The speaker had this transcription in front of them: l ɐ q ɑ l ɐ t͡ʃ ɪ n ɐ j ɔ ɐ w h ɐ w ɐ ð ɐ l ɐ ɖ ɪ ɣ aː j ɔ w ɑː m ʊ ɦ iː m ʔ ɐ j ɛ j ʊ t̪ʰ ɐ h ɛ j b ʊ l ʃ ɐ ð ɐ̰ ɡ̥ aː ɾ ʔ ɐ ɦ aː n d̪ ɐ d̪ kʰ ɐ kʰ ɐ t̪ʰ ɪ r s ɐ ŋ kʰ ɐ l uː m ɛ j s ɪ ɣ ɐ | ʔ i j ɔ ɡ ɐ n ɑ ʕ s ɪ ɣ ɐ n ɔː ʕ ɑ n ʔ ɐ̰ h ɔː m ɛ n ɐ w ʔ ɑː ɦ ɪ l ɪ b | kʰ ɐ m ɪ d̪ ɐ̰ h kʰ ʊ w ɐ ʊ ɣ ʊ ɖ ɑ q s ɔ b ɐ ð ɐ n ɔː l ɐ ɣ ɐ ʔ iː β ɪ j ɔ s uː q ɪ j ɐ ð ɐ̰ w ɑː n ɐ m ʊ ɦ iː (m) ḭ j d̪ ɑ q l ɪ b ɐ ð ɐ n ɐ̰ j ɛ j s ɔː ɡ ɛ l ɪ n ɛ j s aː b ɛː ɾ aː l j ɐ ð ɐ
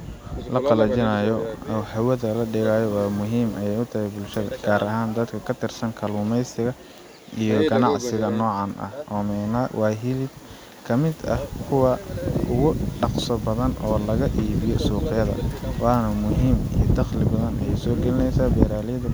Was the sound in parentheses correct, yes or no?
yes